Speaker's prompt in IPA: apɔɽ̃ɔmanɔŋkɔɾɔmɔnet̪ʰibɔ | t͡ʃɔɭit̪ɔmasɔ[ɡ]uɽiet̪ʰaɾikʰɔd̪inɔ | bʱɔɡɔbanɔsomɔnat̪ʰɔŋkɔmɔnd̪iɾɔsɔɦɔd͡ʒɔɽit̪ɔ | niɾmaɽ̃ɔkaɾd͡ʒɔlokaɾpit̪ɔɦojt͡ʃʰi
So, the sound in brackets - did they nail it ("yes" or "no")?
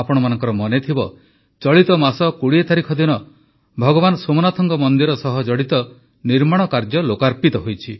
no